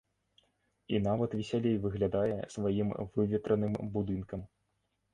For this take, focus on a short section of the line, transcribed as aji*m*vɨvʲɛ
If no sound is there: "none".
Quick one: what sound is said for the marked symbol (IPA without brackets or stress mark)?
m